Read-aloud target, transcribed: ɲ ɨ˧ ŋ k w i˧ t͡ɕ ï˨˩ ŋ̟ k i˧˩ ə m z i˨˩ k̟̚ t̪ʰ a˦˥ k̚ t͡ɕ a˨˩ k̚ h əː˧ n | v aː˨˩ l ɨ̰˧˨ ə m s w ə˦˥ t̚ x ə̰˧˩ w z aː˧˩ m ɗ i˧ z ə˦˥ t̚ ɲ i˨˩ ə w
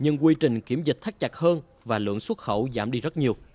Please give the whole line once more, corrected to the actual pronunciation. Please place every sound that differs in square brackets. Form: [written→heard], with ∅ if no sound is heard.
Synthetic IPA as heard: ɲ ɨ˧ ŋ k w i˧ t͡ɕ ï˨˩ ŋ̟ k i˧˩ ə m z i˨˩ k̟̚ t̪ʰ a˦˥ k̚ t͡ɕ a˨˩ k̚ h əː˧ n | v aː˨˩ l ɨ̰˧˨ ə [m→ŋ] s w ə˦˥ t̚ x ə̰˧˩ w z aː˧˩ m ɗ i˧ z ə˦˥ t̚ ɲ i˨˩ ə w